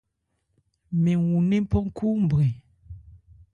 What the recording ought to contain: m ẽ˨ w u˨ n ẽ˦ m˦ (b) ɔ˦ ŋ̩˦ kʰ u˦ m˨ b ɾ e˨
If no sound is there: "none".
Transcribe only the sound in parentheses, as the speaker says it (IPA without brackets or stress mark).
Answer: p